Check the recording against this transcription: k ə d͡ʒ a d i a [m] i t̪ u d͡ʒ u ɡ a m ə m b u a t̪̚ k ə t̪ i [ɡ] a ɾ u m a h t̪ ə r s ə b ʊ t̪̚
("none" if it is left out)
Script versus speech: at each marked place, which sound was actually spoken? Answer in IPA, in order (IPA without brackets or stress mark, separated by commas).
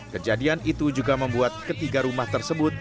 n, ɡ